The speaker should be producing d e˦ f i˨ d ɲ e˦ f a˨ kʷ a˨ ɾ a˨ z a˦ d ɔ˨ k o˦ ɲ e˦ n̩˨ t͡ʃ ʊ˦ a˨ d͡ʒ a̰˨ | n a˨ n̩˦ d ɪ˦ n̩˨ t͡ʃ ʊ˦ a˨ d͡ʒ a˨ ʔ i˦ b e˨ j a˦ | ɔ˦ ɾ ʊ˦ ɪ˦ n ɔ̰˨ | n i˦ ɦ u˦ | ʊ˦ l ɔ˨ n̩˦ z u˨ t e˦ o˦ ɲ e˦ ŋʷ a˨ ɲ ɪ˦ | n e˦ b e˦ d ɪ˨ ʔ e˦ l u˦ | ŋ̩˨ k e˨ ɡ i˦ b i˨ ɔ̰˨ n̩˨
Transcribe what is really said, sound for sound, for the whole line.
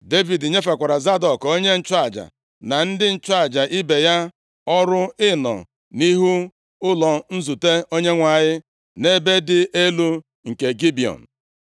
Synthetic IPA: d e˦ v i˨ d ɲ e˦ f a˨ kʷ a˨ ɾ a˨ z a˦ d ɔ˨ k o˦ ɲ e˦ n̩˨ t͡ʃ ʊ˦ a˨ d͡ʒ a̰˨ | n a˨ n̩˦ d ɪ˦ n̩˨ t͡ʃ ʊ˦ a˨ d͡ʒ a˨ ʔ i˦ b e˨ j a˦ | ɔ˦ ɾ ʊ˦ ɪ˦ n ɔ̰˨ | n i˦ ɦ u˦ | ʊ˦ l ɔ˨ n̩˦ z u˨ t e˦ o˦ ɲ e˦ ŋʷ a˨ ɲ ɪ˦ | n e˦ b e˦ d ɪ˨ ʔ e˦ l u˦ | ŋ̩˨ k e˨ ɡ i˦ b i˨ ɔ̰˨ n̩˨